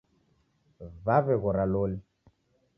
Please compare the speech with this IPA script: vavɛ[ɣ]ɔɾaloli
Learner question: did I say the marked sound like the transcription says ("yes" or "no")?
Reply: yes